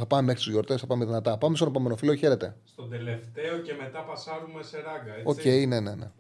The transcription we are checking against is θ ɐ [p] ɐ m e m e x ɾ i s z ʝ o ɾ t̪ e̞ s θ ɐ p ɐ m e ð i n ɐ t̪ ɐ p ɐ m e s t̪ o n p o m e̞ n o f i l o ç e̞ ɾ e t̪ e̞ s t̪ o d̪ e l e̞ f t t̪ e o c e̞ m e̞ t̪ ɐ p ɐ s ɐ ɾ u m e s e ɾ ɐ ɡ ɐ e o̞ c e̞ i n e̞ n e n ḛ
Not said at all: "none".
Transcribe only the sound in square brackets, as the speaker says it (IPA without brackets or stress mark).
p